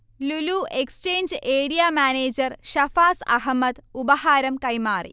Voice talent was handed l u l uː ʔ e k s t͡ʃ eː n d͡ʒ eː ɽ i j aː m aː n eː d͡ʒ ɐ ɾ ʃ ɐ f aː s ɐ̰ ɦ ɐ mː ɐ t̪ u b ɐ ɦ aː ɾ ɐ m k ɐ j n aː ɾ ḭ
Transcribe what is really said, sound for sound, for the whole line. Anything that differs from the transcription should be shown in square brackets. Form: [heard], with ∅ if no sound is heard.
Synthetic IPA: l u l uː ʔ e k s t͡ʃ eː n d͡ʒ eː ɽ i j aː m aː n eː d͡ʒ ɐ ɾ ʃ ɐ f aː s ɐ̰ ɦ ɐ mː ɐ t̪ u b ɐ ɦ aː ɾ ɐ m k ɐ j [m] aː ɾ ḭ